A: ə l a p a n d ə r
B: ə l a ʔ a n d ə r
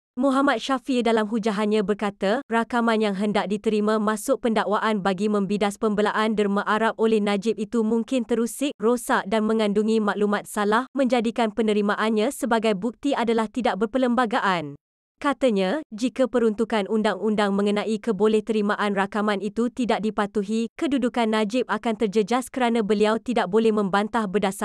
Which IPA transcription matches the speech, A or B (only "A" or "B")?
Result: B